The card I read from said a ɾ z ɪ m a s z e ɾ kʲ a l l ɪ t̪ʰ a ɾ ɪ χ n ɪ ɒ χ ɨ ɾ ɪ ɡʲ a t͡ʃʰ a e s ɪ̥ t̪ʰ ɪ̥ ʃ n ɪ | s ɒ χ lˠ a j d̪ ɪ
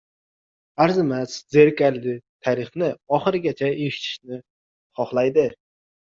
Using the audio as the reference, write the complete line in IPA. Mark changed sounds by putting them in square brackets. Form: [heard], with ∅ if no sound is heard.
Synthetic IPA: a ɾ z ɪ m a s z e ɾ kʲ a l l ɪ t̪ʰ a ɾ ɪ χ n ɪ ɒ χ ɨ ɾ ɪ ɡʲ a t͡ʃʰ a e [ʃ] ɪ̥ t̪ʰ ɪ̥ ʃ n ɪ | [χ] ɒ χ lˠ a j d̪ ɪ